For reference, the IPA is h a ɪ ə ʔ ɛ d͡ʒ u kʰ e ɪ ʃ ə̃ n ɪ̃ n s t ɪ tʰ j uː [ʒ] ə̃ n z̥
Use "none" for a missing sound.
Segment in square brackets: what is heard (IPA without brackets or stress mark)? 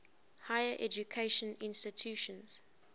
ʃ